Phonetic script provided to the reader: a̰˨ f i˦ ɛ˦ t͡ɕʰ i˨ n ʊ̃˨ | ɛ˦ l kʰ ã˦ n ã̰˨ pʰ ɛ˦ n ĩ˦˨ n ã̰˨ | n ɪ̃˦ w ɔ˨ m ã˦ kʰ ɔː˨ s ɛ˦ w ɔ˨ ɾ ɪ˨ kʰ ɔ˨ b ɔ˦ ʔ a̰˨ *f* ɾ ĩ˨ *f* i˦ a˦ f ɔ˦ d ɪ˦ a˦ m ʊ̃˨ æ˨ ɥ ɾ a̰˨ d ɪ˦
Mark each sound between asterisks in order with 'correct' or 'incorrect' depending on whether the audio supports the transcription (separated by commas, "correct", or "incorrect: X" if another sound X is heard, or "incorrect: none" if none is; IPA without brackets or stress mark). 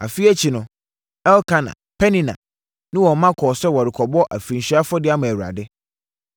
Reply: correct, incorrect: ɕ